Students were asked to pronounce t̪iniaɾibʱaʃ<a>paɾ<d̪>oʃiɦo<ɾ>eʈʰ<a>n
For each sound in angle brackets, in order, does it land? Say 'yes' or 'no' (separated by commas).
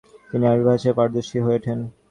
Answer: no, yes, no, no